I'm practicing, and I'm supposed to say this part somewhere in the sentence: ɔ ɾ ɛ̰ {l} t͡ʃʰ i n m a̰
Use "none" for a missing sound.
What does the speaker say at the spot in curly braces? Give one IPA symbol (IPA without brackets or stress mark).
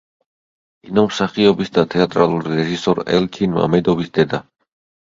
l